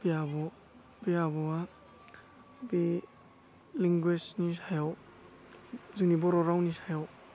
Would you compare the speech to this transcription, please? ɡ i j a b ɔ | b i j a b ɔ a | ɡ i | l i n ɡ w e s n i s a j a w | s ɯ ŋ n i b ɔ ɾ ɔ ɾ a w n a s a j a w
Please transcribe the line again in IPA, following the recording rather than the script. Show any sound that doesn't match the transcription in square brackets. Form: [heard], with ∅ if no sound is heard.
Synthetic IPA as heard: [b] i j a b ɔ | b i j a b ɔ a | [b] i | l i [ŋ] ɡ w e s n i s a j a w | [z] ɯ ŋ n i b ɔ ɾ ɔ ɾ a w n [i] s a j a w